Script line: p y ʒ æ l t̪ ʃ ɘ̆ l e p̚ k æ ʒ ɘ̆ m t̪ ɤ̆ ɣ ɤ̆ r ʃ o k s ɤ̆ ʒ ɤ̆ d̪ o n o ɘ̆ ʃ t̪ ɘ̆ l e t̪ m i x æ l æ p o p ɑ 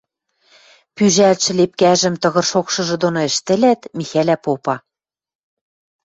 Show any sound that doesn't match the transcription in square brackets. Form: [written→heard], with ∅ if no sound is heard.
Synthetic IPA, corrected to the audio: p y ʒ æ l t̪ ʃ ɘ̆ l e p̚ k æ ʒ ɘ̆ m t̪ ɤ̆ ɣ ɤ̆ r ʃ o k [s→ʃ] ɤ̆ ʒ ɤ̆ d̪ o n o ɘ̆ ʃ t̪ ɘ̆ l [e→æ] t̪ m i x æ l æ p o p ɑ